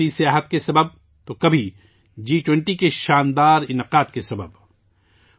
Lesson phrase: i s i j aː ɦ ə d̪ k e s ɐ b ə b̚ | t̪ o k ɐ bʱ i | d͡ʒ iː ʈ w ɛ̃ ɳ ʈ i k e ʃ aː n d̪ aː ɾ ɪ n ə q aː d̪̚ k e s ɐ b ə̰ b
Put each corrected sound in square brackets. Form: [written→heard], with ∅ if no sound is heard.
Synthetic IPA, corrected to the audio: i s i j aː ɦ ə [d̪→t̪] k e s ɐ b ə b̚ | t̪ o k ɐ bʱ i | d͡ʒ iː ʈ w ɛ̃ ɳ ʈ i k e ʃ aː n d̪ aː ɾ ɪ n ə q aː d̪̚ k e s ɐ b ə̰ b

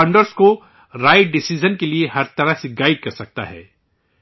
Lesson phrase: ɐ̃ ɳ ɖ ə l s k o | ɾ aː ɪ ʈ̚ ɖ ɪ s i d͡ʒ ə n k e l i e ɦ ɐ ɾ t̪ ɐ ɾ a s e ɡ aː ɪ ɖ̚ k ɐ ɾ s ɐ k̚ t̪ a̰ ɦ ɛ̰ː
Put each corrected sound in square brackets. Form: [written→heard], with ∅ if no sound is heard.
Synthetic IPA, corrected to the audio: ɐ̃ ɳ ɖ ə [l→ɾ] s k o | ɾ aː ɪ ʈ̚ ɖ ɪ s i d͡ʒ ə n k e l i e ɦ ɐ ɾ t̪ ɐ ɾ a s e ɡ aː ɪ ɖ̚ k ɐ ɾ s ɐ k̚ t̪ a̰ ɦ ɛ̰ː

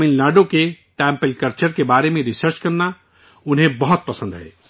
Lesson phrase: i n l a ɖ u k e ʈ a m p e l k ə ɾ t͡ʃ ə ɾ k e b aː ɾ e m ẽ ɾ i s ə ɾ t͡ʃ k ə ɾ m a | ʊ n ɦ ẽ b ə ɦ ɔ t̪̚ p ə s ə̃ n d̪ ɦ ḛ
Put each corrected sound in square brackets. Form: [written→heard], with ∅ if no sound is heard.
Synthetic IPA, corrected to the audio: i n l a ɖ [u→o] k e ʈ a m p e l k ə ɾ t͡ʃ ə ɾ k e b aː ɾ e m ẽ ɾ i s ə ɾ t͡ʃ k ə ɾ [m→n] a | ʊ n ɦ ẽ b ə ɦ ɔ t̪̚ p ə s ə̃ n d̪ ɦ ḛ

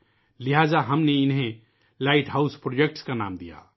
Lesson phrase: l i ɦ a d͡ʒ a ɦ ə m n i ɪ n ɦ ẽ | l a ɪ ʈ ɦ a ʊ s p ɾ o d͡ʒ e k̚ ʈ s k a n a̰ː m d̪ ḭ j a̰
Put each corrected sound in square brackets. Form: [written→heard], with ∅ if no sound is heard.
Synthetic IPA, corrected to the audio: l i ɦ a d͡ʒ a ɦ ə m n [i→e] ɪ n ɦ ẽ | l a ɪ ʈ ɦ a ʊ s p ɾ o d͡ʒ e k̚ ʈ s k a n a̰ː m d̪ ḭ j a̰

